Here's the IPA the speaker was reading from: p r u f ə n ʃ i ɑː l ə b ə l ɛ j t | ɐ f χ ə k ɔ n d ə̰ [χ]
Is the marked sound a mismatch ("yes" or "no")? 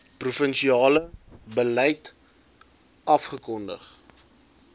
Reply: no